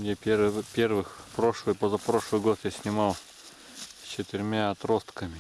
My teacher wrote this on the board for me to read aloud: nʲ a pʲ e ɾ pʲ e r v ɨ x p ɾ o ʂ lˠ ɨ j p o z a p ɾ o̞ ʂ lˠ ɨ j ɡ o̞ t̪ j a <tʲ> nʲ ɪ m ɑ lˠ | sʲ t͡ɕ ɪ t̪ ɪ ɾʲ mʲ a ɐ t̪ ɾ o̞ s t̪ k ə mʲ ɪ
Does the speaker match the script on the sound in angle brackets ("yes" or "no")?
no